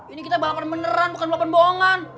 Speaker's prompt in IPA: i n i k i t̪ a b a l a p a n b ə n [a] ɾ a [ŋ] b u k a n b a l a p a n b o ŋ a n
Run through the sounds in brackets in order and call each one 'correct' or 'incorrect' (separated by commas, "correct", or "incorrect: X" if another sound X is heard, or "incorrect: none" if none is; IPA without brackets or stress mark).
incorrect: ə, incorrect: n